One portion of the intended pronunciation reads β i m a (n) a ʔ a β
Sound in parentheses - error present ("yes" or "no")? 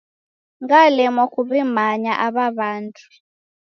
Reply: yes